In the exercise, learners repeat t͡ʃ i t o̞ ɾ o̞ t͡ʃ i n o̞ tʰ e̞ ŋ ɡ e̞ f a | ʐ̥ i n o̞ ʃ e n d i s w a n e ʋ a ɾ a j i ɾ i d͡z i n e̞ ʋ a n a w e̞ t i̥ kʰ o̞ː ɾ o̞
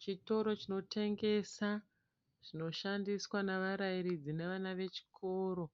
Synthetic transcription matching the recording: t͡ʃ i t o̞ ɾ o̞ t͡ʃ i n o̞ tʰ e̞ ŋ ɡ e̞ s a | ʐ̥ i n o̞ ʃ a n d i s w a n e ʋ a ɾ a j i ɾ i d͡z i n e̞ ʋ a n a ʋ e̞ t͡ʃ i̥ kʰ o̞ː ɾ o̞